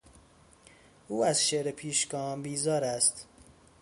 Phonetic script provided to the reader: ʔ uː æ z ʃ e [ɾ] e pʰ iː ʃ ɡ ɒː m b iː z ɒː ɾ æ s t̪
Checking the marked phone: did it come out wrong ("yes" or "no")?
no